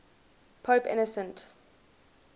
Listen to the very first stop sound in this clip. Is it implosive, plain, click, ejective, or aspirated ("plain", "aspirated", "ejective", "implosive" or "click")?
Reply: aspirated